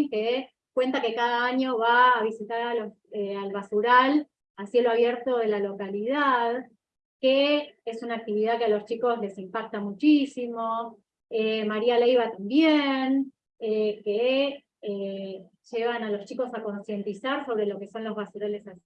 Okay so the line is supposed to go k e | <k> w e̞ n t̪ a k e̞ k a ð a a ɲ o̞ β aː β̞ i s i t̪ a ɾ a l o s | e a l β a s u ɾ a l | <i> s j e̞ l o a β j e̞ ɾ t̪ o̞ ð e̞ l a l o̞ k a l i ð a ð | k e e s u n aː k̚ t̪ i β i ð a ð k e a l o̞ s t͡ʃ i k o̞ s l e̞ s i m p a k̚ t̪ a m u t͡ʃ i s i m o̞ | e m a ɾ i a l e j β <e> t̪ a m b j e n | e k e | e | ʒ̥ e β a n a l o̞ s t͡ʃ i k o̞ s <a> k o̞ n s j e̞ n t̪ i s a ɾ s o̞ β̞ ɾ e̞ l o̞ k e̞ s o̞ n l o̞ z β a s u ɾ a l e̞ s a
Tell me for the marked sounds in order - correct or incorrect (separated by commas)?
correct, incorrect, incorrect, correct